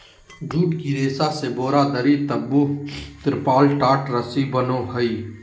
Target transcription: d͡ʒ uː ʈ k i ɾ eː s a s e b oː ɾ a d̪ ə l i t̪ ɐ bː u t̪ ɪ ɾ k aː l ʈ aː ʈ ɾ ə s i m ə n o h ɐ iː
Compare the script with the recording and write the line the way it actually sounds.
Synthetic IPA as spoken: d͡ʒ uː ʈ k i ɾ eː s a s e b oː ɾ a d̪ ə ɾ i t̪ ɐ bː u t̪ ɪ ɾ p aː l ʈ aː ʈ ɾ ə s i b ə n o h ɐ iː